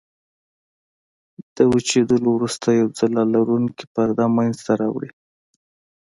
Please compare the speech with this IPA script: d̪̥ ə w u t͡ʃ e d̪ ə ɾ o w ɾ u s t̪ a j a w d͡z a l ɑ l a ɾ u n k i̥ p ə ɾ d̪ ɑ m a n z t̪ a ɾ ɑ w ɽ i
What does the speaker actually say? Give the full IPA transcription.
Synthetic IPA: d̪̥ ə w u t͡ʃ e d̪ ə l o w ɾ u s t̪ a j a w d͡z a l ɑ l a ɾ u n k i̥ p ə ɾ d̪ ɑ m a n z t̪ a ɾ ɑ w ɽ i